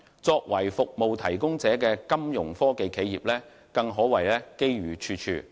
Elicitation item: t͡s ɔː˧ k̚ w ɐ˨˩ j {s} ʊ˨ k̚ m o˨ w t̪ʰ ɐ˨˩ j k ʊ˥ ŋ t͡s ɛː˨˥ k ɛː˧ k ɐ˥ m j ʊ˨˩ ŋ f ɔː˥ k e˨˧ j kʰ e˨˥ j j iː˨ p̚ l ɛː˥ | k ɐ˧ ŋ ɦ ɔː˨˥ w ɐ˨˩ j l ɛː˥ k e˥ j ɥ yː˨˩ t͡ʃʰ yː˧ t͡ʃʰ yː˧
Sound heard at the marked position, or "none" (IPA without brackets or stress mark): f